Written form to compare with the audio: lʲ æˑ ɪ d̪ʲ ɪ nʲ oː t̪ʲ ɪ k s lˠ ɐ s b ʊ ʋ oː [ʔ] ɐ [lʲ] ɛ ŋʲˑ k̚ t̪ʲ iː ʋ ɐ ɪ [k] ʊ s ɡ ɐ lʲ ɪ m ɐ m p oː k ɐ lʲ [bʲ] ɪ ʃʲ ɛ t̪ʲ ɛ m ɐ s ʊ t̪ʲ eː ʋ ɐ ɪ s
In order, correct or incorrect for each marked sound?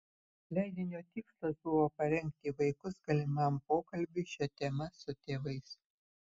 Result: incorrect: p, incorrect: ɾʲ, correct, correct

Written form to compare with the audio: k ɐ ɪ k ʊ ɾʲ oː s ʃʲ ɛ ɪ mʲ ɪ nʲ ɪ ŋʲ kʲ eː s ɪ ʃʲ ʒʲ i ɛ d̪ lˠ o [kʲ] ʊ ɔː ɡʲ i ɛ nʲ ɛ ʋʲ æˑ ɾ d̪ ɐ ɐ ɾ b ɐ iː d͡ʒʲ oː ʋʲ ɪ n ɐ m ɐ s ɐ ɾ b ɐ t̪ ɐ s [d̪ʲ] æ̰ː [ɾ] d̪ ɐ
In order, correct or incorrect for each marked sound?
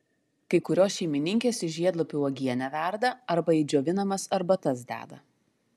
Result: incorrect: pʲ, correct, incorrect: none

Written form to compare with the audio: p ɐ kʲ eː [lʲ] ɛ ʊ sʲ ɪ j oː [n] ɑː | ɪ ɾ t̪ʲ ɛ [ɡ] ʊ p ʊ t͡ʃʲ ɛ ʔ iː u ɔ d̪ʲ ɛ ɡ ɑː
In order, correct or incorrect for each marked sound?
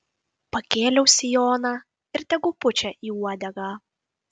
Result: correct, correct, correct

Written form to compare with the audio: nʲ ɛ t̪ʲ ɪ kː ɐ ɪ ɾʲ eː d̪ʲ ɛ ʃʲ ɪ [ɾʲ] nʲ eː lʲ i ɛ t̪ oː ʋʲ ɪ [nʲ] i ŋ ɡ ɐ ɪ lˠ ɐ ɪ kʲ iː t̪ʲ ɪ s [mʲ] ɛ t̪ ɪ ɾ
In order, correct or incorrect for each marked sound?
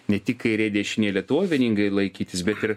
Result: incorrect: none, correct, incorrect: bʲ

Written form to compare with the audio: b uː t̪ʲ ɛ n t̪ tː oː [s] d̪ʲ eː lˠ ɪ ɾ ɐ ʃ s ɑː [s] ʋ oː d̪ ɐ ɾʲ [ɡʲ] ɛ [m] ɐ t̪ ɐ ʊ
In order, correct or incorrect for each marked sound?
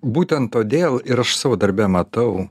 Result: incorrect: none, incorrect: none, incorrect: bʲ, correct

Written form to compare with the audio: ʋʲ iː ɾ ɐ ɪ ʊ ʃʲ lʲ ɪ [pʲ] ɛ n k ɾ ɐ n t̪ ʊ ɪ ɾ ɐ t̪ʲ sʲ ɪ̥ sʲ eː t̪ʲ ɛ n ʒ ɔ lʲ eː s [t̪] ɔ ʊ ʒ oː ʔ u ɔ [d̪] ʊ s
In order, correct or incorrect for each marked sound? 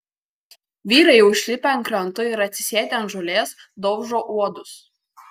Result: correct, incorrect: d̪, correct

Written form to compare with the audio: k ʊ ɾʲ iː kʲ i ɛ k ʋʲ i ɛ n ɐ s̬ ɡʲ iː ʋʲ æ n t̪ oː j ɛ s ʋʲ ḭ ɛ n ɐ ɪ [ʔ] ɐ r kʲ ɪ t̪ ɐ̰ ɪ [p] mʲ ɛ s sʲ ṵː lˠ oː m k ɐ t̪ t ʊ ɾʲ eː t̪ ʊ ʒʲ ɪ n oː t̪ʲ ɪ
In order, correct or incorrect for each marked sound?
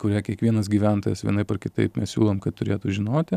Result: incorrect: p, correct

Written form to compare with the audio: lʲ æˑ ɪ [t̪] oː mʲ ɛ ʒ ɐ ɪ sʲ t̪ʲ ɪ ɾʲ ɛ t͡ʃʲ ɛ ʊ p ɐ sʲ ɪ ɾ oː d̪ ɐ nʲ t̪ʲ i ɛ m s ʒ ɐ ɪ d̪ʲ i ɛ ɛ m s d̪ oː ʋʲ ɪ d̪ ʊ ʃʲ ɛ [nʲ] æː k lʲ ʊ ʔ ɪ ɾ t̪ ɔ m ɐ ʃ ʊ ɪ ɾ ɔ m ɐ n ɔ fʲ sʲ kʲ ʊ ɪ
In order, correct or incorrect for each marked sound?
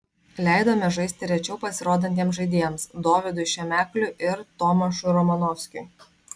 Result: incorrect: d̪, incorrect: mʲ

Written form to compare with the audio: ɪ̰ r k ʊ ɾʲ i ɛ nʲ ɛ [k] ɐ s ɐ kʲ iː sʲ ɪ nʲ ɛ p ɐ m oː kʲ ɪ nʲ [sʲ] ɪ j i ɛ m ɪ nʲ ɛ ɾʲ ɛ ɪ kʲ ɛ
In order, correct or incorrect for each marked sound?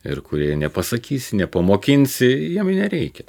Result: incorrect: p, correct

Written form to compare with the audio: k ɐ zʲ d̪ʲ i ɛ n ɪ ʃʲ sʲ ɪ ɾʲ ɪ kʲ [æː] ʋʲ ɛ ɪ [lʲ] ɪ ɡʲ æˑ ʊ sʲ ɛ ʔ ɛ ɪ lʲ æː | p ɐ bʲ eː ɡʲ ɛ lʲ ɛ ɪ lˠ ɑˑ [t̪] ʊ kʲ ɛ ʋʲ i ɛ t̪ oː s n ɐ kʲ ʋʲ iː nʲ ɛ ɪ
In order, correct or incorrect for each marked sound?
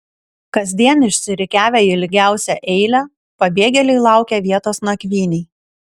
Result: correct, correct, incorrect: none

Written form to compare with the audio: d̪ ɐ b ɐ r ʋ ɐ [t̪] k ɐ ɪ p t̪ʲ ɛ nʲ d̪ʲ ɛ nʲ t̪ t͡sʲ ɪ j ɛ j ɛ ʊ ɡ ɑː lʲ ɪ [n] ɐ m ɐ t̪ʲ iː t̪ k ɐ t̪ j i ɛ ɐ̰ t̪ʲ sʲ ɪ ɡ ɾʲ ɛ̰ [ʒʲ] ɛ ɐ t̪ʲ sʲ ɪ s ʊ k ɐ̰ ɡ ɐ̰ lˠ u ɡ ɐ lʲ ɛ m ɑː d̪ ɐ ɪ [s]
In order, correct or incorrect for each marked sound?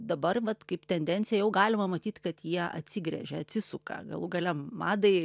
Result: correct, incorrect: m, correct, incorrect: none

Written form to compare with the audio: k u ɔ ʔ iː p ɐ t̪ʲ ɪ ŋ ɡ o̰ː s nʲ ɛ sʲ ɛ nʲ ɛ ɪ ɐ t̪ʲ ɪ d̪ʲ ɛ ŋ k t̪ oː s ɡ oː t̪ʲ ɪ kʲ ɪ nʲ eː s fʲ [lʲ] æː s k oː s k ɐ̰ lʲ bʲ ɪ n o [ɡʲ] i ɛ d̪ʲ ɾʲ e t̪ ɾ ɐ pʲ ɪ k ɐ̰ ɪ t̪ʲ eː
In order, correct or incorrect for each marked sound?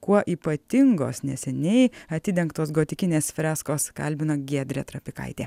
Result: incorrect: ɾʲ, correct

